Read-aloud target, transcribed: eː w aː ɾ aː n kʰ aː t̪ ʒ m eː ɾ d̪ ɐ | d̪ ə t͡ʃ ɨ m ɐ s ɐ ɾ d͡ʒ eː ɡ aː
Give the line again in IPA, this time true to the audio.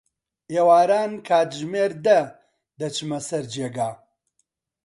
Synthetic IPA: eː w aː ɾ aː n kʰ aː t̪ ʒ m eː ɾ d̪ ɐ | d̪ ɐ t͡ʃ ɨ m ɐ s ɐ ɾ d͡ʒ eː ɡ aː